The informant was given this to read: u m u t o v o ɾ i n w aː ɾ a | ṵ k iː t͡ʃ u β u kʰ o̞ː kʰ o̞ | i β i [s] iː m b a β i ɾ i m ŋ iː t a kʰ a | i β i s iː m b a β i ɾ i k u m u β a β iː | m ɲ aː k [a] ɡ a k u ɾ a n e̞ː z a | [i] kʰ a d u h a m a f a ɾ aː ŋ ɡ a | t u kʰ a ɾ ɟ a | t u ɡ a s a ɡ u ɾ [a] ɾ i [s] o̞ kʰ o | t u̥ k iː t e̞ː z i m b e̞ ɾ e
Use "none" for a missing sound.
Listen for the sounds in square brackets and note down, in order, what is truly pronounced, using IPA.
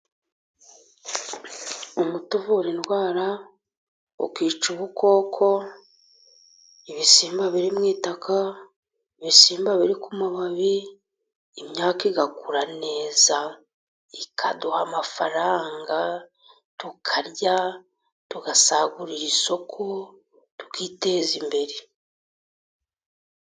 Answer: s, i, i, i, s

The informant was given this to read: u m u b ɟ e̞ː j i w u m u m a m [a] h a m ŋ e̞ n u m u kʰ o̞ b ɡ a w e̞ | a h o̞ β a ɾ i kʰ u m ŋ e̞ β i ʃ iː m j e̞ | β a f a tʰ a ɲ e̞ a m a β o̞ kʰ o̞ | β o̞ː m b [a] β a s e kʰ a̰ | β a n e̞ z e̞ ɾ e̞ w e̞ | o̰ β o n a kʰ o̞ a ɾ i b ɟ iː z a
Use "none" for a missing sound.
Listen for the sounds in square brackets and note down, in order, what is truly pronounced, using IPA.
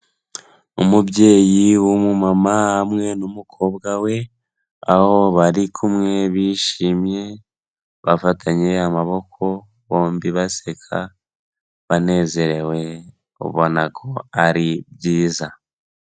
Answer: a, i

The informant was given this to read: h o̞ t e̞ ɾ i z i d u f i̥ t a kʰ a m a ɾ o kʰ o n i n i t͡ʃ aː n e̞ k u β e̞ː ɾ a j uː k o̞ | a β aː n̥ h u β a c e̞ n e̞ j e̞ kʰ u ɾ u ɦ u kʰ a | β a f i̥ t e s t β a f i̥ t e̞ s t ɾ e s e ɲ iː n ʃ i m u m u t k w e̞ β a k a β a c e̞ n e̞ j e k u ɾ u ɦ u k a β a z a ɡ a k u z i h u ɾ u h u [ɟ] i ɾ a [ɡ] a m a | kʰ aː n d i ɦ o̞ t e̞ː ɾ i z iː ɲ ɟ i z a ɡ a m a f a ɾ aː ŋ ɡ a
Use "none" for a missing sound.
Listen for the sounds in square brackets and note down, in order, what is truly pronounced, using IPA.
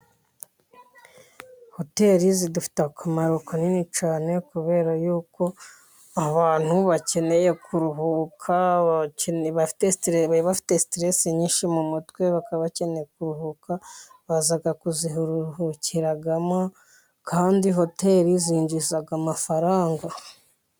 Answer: c, ɡ

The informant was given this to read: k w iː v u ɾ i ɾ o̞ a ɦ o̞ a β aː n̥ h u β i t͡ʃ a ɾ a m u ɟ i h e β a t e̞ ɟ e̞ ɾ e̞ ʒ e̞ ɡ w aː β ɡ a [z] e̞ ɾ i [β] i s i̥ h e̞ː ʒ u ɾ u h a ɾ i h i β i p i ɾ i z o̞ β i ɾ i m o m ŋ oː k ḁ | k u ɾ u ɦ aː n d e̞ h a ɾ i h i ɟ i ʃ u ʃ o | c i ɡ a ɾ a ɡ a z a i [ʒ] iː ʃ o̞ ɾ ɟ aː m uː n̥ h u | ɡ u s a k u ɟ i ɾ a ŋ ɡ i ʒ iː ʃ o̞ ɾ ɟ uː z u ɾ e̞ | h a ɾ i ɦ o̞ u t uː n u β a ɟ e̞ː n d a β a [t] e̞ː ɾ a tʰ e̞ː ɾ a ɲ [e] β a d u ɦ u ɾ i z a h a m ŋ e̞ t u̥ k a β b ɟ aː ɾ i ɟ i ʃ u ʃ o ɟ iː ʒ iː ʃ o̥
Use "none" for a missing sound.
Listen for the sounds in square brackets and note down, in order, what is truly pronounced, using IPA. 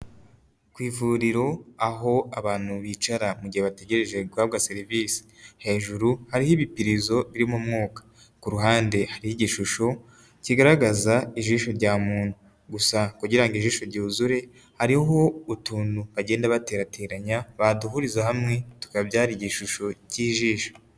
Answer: s, v, ʒ, t, a

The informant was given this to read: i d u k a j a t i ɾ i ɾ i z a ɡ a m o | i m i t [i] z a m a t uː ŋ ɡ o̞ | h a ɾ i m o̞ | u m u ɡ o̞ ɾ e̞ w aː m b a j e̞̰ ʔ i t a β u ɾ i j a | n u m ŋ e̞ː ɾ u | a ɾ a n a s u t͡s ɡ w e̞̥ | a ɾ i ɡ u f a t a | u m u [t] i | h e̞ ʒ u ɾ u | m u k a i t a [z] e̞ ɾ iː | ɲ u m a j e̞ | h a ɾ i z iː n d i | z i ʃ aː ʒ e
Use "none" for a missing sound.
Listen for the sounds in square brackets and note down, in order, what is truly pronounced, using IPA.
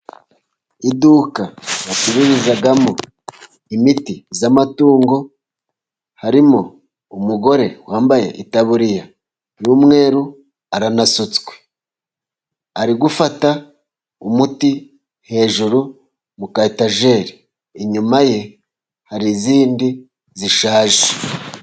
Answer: i, t, ʒ

